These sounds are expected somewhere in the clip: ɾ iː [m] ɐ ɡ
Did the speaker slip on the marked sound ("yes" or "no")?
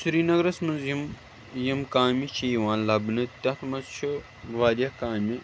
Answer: yes